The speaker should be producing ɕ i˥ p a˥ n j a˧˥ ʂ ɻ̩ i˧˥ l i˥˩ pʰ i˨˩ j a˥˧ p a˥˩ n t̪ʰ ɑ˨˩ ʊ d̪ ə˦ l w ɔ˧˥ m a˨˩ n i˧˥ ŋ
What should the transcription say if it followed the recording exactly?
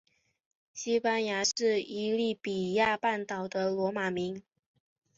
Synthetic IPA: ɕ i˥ p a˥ n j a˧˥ ʂ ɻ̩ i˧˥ l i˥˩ p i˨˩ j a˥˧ p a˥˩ n t̪ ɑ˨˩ ʊ d̪ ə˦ l w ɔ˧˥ m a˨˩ m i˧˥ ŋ

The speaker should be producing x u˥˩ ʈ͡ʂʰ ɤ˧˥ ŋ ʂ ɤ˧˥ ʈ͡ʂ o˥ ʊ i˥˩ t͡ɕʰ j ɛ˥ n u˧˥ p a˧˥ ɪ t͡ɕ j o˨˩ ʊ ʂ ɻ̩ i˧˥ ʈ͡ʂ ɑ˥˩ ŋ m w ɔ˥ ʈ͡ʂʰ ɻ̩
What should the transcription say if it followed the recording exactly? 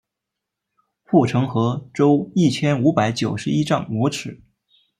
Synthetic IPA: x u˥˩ ʈ͡ʂʰ ɤ˧˥ ŋ x ɤ˧˥ ʈ͡ʂ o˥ ʊ i˥˩ t͡ɕʰ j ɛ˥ n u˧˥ p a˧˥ ɪ t͡ɕ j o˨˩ ʊ ʂ ɻ̩ i˥ ʈ͡ʂ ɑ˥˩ ŋ m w ɔ˧˥ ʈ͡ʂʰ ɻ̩

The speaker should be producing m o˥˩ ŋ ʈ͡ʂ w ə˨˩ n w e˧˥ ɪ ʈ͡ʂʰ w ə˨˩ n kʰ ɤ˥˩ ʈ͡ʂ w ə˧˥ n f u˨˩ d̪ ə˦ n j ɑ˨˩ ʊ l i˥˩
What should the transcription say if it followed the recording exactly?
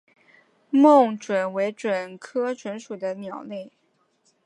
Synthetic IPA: m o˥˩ ŋ ʈ͡ʂ w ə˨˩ n w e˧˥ ɪ ʈ͡ʂ w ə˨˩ n kʰ ɤ˥ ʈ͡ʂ w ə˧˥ n ʂ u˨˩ d̪ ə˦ n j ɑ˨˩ ʊ l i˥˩

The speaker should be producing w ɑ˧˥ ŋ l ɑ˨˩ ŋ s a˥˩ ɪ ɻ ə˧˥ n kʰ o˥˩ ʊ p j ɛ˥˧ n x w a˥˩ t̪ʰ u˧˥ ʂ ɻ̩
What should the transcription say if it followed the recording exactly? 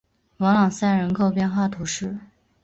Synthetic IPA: w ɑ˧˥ ŋ l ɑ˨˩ ŋ s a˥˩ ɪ ɻ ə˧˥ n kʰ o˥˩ ʊ p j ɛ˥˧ n x w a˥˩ t̪ʰ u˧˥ ʂ ɻ̩

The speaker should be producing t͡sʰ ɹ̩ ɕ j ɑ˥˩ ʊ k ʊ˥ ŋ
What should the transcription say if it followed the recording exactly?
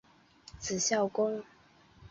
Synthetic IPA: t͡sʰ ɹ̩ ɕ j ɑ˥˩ ʊ k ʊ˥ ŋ

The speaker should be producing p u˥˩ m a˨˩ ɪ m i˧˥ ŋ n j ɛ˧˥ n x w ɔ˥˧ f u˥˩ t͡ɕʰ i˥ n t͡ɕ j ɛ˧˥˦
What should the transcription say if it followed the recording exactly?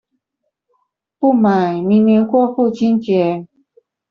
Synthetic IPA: p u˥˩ m a˨˩ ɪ m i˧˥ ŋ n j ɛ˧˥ n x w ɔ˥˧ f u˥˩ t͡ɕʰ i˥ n t͡ɕ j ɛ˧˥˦

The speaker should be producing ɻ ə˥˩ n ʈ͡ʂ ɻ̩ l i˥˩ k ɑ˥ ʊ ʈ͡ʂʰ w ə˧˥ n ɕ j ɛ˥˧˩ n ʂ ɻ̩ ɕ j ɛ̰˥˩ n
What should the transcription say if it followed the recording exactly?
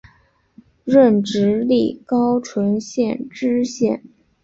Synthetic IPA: ɻ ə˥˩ n ʈ͡ʂ ɻ̩ l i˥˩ k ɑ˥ ʊ ʈ͡ʂʰ w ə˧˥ n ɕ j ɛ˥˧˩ n ʈ͡ʂ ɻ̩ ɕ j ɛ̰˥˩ n

